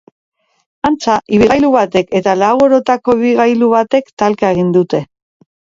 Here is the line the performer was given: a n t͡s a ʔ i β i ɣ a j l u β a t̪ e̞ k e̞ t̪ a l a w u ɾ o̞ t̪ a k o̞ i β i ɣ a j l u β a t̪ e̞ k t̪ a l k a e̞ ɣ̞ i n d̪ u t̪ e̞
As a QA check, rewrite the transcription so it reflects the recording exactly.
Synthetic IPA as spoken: a n t͡s a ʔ i β i ɣ a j l u β a t̪ e̞ k e̞ t̪ a l a w o ɾ o̞ t̪ a k o̞ i β i ɣ a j l u β a t̪ e̞ k t̪ a l k a e̞ ɣ̞ i n d̪ u t̪ e̞